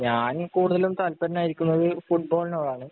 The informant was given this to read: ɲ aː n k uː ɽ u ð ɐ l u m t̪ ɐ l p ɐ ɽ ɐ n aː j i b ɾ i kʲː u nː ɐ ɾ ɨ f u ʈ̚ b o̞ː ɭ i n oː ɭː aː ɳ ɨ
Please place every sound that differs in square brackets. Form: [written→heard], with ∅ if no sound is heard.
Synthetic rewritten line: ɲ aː n k uː ɽ u ð ɐ l u m t̪ ɐ l p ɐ [ɽ→ɾ] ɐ n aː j i [b→∅] ɾ i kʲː u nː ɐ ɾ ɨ f u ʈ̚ b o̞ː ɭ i n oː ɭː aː ɳ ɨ